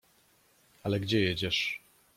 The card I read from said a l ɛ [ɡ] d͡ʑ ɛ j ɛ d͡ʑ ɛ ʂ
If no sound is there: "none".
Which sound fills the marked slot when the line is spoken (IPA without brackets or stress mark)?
ɡ